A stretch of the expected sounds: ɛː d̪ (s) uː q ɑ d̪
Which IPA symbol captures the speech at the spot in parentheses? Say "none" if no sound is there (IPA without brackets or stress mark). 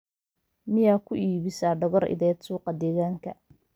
s